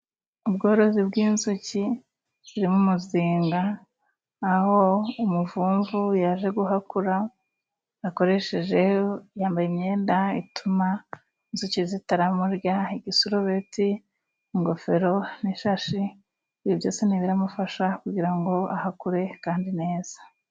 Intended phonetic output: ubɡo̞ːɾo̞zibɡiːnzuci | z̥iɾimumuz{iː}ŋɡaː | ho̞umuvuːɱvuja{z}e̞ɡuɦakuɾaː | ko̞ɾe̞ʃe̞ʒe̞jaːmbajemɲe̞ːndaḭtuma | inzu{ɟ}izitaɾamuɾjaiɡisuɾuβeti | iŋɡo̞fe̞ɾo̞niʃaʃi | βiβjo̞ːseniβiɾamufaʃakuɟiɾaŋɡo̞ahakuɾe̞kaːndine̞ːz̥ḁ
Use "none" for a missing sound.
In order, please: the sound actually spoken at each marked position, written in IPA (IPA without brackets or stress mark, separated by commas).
iː, ʒ, c